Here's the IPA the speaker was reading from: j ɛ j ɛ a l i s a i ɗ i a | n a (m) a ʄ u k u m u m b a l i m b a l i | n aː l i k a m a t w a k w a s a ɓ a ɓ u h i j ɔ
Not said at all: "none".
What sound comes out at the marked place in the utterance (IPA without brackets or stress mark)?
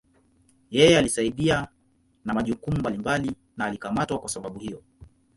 m